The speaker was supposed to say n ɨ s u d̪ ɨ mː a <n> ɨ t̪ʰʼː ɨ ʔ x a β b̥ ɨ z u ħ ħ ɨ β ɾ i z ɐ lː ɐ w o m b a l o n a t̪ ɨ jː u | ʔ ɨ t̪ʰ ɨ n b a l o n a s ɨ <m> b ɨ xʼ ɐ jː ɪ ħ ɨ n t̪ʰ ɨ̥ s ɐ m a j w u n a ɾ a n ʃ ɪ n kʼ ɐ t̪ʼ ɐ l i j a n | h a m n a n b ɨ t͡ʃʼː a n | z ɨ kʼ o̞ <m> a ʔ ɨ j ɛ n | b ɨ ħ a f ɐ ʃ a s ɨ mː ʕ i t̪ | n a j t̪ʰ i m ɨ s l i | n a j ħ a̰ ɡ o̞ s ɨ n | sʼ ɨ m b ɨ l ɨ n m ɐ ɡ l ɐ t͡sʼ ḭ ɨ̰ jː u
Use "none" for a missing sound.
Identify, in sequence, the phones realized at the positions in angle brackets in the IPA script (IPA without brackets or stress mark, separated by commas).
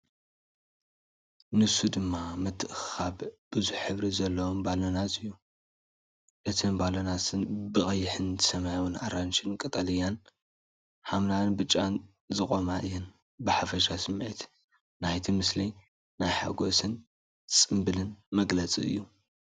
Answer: m, n, m